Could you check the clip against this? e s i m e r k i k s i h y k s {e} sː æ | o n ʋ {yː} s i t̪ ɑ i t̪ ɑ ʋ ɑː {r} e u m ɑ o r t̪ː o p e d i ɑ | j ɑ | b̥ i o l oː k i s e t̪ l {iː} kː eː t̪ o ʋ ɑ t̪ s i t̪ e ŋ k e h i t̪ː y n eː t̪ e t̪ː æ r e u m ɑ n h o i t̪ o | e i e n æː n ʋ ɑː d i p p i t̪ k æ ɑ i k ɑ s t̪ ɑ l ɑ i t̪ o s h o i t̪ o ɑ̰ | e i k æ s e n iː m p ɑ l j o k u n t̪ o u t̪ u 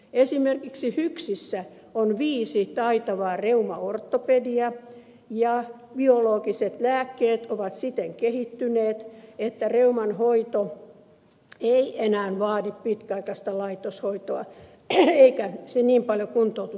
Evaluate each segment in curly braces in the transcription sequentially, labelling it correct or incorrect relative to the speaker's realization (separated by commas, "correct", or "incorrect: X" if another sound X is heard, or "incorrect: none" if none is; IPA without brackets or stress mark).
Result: incorrect: i, incorrect: iː, correct, incorrect: æː